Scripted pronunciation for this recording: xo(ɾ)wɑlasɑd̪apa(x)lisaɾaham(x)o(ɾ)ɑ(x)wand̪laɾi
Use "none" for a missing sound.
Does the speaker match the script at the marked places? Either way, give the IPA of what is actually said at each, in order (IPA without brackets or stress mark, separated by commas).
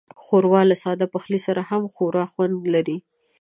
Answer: ɾ, x, x, ɾ, x